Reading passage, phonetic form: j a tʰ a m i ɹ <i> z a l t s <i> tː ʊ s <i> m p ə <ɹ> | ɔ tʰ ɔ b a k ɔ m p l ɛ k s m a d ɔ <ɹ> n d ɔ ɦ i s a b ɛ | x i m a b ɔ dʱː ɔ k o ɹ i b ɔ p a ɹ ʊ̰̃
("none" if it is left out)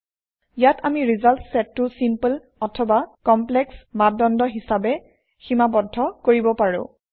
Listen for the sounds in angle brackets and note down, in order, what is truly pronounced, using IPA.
i, ɛ, i, l, none

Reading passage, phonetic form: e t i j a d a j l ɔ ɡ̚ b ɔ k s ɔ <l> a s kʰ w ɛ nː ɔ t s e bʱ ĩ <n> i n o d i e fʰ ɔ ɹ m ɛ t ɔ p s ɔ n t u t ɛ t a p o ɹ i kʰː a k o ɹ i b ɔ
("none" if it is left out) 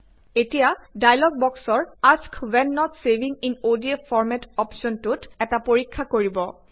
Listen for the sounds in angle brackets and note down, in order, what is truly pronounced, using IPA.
ɹ, ŋ

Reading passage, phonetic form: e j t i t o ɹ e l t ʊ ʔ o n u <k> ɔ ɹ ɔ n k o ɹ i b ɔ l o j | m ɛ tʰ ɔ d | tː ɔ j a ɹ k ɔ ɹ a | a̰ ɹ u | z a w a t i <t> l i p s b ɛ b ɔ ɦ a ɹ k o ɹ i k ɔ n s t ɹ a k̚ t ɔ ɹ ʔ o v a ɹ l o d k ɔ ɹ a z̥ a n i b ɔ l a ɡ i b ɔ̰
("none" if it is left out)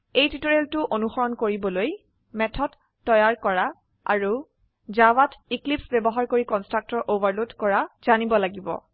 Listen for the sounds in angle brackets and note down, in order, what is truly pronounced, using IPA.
x, k

